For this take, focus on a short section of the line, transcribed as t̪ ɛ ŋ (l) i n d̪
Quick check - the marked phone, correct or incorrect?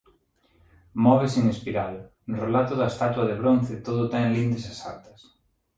correct